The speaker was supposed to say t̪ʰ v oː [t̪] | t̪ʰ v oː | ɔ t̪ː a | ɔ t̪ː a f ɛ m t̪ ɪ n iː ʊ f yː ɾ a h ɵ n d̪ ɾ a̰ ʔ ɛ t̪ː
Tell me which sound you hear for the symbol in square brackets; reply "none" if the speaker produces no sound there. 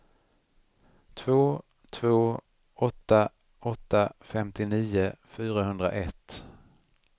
none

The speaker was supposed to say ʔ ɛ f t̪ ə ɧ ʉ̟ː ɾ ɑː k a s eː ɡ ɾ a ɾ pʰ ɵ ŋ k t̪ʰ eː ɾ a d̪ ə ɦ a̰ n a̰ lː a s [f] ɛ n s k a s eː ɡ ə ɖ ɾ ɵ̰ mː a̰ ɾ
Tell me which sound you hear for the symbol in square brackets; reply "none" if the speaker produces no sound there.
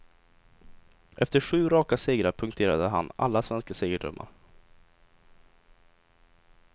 v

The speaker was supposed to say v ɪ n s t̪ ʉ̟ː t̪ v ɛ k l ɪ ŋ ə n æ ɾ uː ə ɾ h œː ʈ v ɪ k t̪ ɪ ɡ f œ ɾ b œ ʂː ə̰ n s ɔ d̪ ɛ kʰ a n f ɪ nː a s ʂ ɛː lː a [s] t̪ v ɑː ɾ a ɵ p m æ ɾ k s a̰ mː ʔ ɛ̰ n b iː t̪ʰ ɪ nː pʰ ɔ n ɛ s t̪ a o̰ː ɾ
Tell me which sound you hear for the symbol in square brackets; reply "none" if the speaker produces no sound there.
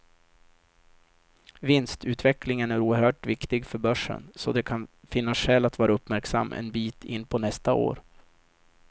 none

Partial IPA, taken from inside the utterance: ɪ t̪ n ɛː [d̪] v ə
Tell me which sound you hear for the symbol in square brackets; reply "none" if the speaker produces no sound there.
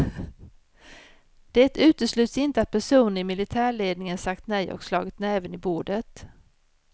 none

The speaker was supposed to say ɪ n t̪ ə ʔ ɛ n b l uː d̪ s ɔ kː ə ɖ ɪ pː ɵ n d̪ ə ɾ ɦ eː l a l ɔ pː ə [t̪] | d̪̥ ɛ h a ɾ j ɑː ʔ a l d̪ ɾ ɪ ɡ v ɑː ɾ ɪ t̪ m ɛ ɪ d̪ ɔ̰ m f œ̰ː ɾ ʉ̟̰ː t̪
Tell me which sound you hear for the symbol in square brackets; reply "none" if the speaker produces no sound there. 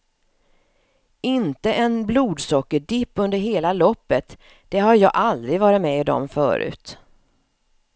t̪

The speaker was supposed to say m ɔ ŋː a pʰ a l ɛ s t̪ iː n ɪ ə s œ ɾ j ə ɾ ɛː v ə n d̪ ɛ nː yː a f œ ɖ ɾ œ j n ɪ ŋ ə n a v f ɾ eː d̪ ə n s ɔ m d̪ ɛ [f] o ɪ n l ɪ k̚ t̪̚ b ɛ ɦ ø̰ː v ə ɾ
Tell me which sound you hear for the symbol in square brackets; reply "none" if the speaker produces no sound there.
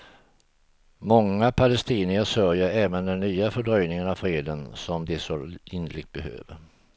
s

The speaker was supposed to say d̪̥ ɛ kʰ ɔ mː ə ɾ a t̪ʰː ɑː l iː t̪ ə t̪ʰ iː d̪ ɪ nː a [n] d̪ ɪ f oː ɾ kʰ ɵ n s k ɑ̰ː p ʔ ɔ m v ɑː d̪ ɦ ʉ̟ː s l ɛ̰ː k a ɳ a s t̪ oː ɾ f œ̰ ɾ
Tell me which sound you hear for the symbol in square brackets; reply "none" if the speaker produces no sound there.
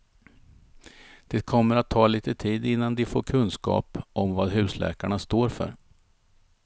n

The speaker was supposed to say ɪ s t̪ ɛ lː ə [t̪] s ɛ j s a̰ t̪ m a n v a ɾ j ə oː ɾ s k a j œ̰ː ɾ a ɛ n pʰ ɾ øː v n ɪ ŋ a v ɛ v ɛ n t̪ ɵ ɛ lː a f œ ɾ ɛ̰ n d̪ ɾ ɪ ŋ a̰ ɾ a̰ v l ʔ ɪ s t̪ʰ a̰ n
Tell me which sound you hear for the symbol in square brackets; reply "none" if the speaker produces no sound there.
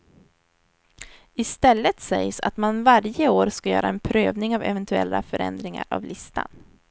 t̪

